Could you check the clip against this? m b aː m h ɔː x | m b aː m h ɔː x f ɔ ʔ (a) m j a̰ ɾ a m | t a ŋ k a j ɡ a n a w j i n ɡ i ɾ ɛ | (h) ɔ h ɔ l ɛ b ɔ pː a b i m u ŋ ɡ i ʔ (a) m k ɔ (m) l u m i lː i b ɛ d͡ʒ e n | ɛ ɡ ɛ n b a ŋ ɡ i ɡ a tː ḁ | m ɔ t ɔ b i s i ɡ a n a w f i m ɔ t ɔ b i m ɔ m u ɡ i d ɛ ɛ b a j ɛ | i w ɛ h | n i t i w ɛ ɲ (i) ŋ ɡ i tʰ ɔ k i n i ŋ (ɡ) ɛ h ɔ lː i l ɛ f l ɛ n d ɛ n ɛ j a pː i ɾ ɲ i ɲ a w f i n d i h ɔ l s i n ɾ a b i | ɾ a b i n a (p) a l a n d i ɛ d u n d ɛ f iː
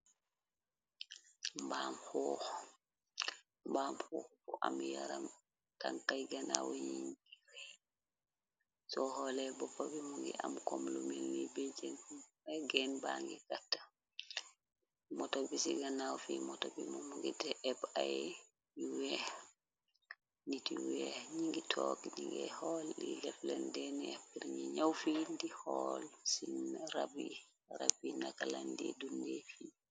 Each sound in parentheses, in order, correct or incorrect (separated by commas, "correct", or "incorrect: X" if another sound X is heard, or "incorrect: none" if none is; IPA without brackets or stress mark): correct, incorrect: s, correct, correct, correct, correct, incorrect: k